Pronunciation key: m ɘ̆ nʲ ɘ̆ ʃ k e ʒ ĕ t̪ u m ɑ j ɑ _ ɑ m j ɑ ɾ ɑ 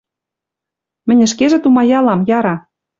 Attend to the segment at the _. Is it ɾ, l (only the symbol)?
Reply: l